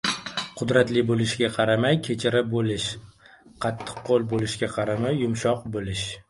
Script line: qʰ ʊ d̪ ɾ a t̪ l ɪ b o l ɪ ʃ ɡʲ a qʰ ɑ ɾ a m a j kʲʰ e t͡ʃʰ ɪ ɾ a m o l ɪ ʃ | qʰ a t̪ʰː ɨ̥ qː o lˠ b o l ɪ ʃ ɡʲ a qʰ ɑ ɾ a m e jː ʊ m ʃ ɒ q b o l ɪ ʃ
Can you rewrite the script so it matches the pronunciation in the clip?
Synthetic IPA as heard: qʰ ʊ d̪ ɾ a t̪ l ɪ b o l ɪ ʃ ɡʲ a qʰ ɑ ɾ a m a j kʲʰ e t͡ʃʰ ɪ ɾ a b o l ɪ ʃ | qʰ ɑ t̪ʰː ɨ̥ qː o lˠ b o l ɪ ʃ ɡʲ a qʰ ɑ ɾ a m a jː ʊ m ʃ ɒ q b o l ɪ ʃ